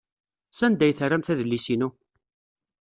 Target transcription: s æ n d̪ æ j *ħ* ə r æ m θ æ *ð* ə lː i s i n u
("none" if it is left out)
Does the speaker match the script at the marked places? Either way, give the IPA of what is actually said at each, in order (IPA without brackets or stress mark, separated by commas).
θ, ð